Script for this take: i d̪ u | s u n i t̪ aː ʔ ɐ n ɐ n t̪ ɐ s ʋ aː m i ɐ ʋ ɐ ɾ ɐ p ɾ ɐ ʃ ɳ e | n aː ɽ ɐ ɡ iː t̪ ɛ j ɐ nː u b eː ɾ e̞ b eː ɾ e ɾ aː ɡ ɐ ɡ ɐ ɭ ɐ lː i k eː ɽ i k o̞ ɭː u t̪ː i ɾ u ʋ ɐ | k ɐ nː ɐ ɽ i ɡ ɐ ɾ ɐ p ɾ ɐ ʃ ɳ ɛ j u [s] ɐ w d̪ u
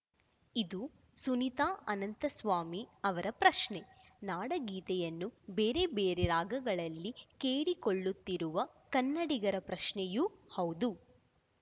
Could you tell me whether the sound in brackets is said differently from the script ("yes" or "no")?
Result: yes